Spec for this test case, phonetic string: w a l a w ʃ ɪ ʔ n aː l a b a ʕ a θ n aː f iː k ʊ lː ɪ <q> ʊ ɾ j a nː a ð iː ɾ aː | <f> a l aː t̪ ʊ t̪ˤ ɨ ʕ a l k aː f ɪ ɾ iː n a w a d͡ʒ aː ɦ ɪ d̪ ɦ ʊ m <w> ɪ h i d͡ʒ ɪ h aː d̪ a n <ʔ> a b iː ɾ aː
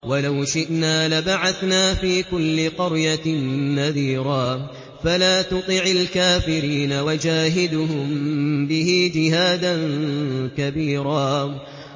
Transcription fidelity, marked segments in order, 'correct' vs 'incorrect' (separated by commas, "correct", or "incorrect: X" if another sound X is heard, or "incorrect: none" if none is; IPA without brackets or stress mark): correct, correct, incorrect: b, incorrect: k